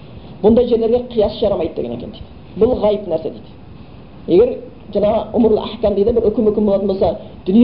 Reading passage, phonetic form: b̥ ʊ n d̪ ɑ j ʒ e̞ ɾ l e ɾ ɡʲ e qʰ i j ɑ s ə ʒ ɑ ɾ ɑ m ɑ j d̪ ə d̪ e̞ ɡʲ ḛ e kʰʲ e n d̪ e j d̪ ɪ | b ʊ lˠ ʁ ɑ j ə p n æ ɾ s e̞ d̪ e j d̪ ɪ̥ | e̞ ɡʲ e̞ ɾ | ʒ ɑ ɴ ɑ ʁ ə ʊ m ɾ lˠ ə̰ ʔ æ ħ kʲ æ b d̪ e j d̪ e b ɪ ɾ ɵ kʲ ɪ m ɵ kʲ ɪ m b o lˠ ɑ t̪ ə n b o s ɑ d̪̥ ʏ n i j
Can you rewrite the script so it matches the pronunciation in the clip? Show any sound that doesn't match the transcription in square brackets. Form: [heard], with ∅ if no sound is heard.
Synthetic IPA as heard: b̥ ʊ n d̪ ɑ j ʒ e̞ ɾ l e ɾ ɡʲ e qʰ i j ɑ s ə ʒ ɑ ɾ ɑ m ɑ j d̪ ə d̪ e̞ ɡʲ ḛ e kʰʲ e n d̪ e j d̪ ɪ | b ʊ lˠ ʁ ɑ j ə p n æ ɾ s e̞ d̪ e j d̪ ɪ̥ | e̞ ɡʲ e̞ ɾ | ʒ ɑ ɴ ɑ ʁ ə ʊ m ɾ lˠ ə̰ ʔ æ ħ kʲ æ [m] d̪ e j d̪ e b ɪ ɾ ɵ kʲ ɪ m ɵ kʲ ɪ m b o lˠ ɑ t̪ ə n b o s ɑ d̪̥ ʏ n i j